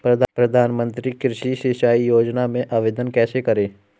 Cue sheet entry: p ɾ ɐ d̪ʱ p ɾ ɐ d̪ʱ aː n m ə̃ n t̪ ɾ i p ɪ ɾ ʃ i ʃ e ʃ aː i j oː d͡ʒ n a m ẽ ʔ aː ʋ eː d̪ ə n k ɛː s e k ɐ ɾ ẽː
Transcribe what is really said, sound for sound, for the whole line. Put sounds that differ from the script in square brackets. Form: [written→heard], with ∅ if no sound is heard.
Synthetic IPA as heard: p ɾ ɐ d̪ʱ p ɾ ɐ d̪ʱ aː n m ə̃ n t̪ ɾ i [p→k] ɪ ɾ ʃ i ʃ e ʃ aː i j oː d͡ʒ n a m ẽ ʔ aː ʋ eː d̪ ə n k ɛː s e k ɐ ɾ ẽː

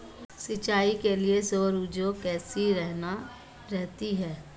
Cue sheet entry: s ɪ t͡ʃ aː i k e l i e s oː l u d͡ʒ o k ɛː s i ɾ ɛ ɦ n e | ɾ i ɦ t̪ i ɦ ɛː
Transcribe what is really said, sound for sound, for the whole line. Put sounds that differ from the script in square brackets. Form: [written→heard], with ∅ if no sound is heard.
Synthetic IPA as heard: s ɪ t͡ʃ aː i k e l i e s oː [l→ɾ] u d͡ʒ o k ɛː s i ɾ ɛ ɦ n [e→a] | ɾ [i→ɛ] ɦ t̪ i ɦ ɛː

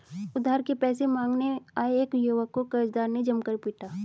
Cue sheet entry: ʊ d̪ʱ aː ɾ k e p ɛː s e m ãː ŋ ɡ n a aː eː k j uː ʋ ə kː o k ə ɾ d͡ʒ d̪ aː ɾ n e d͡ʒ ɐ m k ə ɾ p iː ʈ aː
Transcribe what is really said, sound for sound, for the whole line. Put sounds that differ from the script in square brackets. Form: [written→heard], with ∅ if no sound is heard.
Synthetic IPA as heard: ʊ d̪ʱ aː ɾ k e p ɛː s e m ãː ŋ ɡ n [a→e] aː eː k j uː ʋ ə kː o k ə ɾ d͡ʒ d̪ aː ɾ n e d͡ʒ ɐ m k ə ɾ p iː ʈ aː

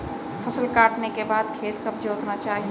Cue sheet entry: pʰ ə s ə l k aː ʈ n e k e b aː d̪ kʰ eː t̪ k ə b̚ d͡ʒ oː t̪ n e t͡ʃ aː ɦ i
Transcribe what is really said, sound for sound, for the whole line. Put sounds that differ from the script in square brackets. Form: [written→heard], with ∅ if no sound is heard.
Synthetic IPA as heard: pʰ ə s ə l k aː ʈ n e k e b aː d̪ kʰ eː t̪ k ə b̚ d͡ʒ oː t̪ n [e→a] t͡ʃ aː ɦ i

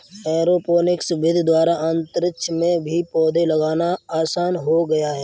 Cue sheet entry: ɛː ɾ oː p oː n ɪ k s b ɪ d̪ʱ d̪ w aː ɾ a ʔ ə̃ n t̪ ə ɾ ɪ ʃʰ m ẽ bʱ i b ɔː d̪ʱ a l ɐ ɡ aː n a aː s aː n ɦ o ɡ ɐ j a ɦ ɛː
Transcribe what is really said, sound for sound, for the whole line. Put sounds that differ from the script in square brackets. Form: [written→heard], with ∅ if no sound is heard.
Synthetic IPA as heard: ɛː ɾ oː p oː n ɪ k s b ɪ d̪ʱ d̪ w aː ɾ a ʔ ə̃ n t̪ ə ɾ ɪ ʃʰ m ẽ bʱ i [b→p] ɔː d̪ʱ [a→e] l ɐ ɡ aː n a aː s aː n ɦ o ɡ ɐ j a ɦ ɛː

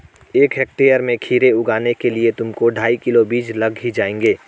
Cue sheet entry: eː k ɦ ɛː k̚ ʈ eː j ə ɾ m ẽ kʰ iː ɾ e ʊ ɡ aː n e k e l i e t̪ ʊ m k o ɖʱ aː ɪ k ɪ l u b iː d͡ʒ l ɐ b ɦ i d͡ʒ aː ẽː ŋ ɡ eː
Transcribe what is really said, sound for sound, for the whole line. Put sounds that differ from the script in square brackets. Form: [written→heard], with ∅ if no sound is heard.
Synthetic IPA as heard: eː k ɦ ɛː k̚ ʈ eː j ə ɾ m ẽ kʰ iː ɾ e ʊ ɡ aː n e k e l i e t̪ ʊ m k o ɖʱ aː [ɪ→i] k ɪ l [u→o] b iː d͡ʒ l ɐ [b→ɡ] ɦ i d͡ʒ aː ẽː ŋ ɡ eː

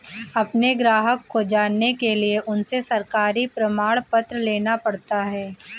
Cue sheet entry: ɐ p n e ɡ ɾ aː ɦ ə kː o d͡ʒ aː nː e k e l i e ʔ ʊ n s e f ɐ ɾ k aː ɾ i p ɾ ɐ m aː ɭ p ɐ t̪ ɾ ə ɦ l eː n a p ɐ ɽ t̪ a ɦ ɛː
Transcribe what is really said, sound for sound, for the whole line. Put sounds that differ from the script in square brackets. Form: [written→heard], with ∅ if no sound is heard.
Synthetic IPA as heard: ɐ p n e ɡ ɾ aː ɦ ə kː o d͡ʒ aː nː e k e l i e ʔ ʊ n s e [f→s] ɐ ɾ k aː ɾ i p ɾ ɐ m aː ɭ p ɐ t̪ ɾ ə [ɦ→∅] l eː n a p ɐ ɽ t̪ a ɦ ɛː

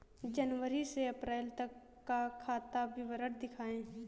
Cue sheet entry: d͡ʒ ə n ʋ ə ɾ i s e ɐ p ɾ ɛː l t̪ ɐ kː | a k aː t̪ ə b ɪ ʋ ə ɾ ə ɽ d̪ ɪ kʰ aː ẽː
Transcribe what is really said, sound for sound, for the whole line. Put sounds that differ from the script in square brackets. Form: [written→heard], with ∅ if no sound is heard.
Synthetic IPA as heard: d͡ʒ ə n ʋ ə ɾ i s e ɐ p ɾ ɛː l t̪ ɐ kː | a [k→kʰ] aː t̪ [ə→a] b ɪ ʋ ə ɾ ə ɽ d̪ ɪ kʰ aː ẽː

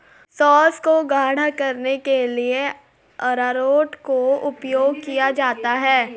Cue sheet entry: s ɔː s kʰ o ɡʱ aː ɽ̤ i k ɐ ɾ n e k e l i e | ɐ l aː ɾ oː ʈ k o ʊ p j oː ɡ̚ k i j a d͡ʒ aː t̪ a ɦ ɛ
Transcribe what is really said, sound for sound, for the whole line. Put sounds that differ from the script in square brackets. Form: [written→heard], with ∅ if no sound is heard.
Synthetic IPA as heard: s ɔː s [kʰ→k] o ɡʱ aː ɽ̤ [i→a] k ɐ ɾ n e k e l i e | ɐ [l→ɾ] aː ɾ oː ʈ k o ʊ p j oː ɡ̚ k i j a d͡ʒ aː t̪ a ɦ [ɛ→ɛː]

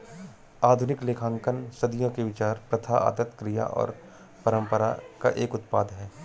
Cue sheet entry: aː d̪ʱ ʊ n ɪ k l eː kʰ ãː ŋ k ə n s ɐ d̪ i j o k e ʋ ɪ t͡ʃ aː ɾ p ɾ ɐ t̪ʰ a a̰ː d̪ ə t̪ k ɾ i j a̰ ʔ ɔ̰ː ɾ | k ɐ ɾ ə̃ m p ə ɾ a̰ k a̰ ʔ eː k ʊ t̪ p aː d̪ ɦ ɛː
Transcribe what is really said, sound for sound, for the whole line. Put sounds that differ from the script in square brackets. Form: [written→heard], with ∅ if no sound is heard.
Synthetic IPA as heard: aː d̪ʱ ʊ n ɪ k l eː kʰ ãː ŋ k ə n s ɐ d̪ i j [o→õ] k e ʋ ɪ t͡ʃ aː ɾ p ɾ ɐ t̪ʰ a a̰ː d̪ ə t̪ k ɾ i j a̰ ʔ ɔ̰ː ɾ | [k→p] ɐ ɾ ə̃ m p ə ɾ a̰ k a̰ ʔ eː k ʊ t̪ p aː d̪ ɦ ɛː

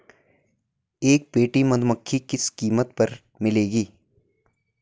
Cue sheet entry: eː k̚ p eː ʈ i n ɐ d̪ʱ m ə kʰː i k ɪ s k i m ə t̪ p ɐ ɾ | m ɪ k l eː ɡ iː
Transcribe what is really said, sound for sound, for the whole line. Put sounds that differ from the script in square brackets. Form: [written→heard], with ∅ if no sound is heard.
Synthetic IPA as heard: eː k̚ p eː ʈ i [n→m] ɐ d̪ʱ m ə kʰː i k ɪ s k [i→iː] m ə t̪ p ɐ ɾ | m ɪ [k→∅] l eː ɡ iː

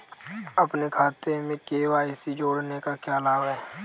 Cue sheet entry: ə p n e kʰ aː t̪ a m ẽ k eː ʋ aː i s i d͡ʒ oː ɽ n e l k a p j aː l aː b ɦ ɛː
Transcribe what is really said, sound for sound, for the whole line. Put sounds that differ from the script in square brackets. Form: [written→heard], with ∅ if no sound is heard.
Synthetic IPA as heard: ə p n e kʰ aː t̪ [a→e] m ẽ k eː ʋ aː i s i d͡ʒ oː ɽ n e [l→∅] k a [p→k] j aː l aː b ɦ ɛː

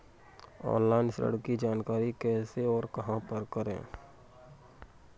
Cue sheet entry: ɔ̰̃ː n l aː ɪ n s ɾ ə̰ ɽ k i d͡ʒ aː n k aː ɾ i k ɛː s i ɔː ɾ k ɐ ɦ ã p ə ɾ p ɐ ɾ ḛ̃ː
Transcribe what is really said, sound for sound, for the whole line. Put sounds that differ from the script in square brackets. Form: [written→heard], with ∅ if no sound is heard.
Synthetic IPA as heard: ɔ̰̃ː n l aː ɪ n s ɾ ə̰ ɽ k i d͡ʒ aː n k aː ɾ i k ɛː s [i→e] ɔː ɾ k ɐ ɦ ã p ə ɾ [p→k] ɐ ɾ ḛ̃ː

